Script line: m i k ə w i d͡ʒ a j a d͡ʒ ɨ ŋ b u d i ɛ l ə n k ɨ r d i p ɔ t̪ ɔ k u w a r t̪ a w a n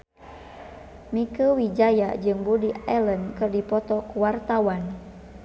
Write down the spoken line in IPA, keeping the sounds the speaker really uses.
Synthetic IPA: m i k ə w i d͡ʒ a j a d͡ʒ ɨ ŋ b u d i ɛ l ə n k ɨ r d i p ɔ t̪ ɔ k u w a r t̪ a w a n